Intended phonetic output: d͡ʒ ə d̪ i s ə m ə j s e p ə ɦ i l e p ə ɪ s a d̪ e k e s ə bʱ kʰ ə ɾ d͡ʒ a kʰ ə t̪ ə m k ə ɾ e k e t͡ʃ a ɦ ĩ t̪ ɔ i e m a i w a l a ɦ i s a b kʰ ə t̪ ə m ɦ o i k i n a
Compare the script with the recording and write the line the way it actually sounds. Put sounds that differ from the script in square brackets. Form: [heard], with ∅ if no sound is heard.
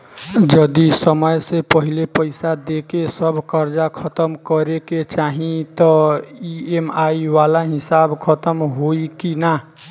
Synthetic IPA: d͡ʒ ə d̪ i s ə m ə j s e p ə ɦ i l e p ə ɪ s a d̪ e k e s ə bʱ [k] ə ɾ d͡ʒ a kʰ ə t̪ ə m k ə ɾ e k e t͡ʃ a ɦ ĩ t̪ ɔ i e m a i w a l a ɦ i s a b kʰ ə t̪ ə m ɦ o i k i n a